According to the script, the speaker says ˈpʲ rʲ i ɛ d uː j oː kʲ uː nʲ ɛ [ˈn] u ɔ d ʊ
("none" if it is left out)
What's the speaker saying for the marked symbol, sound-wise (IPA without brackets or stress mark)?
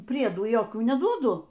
d